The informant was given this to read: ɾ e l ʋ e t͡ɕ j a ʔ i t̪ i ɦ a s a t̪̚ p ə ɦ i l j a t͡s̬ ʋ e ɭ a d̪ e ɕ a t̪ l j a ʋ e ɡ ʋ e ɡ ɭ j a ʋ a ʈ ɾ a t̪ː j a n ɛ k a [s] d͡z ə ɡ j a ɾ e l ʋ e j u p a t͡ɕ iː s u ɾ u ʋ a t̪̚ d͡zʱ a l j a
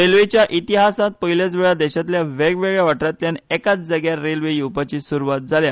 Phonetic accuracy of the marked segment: incorrect: t͡s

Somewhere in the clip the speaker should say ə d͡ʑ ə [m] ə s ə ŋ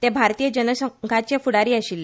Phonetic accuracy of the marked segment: incorrect: n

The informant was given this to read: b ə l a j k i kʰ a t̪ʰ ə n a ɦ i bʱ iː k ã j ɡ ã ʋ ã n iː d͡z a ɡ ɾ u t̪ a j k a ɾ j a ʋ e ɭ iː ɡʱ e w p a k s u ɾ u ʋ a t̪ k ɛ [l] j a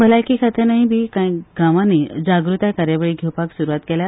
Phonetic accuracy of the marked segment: correct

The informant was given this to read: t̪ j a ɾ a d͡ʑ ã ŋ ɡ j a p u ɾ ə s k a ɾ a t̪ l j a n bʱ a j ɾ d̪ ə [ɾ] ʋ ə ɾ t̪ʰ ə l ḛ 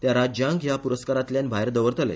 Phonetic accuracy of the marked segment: incorrect: none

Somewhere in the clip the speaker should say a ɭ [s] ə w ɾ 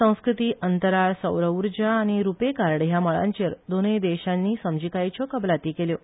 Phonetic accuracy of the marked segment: correct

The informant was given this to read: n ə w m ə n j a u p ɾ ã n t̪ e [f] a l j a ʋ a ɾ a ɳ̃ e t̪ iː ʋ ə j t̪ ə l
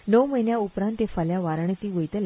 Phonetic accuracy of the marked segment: correct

